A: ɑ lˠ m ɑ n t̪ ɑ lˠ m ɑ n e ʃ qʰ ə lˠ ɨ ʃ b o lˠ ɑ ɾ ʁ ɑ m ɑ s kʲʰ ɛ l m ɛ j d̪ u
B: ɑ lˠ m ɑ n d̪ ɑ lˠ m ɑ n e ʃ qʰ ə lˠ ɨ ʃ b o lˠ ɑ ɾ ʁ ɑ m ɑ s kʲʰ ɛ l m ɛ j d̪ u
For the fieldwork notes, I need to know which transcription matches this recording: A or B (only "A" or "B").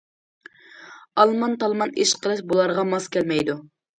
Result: A